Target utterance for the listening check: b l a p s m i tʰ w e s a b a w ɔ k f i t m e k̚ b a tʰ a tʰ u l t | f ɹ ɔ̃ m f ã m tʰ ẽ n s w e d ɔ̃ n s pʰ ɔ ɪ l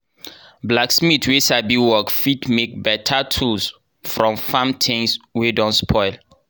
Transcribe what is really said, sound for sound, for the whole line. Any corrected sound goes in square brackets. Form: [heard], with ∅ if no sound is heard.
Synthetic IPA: b l a [k] s m i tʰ w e s a b [i] w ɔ k f i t m e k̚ b [ɛ] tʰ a tʰ u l [s] | f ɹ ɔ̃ m f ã m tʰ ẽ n s w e d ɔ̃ n s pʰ ɔ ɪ l